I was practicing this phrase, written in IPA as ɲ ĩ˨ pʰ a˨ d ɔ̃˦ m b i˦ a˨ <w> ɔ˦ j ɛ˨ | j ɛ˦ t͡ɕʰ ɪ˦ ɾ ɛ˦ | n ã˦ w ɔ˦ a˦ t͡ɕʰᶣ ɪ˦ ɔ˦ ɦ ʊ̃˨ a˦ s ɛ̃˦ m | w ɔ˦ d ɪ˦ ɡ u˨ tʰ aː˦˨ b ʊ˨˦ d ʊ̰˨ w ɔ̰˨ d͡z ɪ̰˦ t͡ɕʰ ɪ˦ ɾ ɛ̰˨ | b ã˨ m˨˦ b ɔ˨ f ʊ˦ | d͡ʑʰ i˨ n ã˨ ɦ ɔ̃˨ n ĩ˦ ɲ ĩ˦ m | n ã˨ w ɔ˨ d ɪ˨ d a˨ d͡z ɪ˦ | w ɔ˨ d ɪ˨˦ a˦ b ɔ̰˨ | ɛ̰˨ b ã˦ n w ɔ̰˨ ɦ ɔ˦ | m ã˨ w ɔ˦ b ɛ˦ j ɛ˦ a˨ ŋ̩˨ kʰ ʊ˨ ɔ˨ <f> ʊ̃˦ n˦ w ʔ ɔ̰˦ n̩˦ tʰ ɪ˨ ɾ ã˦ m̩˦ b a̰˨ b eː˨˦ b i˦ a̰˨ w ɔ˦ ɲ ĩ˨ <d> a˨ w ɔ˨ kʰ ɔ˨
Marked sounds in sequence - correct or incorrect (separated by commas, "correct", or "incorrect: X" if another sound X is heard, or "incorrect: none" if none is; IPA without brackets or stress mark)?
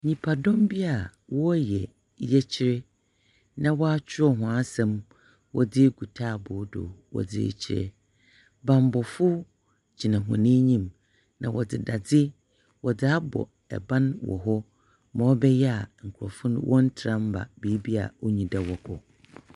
correct, correct, correct